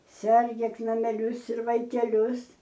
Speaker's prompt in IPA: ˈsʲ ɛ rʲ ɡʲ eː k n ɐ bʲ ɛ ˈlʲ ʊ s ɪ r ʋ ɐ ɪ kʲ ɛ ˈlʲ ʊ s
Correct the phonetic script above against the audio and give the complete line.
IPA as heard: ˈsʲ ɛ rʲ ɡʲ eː k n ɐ mʲ ɛ ˈlʲ ʊ s ɪ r ʋ ɐ ɪ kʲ ɛ ˈlʲ ʊ s